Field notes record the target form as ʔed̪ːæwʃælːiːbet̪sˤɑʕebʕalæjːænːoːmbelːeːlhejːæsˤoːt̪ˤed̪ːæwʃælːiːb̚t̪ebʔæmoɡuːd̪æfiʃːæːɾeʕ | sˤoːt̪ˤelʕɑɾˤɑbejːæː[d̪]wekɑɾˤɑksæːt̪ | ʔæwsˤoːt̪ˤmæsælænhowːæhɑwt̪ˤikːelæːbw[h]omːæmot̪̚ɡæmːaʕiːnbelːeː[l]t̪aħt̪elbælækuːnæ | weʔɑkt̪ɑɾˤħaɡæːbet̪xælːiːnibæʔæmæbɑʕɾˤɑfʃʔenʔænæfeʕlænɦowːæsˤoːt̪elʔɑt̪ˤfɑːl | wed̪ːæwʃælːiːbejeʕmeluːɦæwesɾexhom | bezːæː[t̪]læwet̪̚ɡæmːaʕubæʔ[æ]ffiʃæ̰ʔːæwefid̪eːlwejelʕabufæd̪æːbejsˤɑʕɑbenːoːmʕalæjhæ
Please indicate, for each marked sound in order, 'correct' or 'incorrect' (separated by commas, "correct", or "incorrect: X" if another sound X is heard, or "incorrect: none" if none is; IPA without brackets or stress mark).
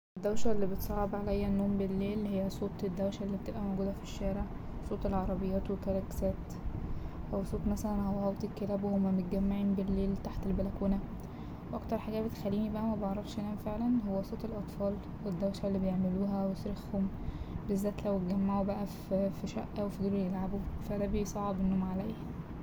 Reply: incorrect: t̪, correct, correct, correct, correct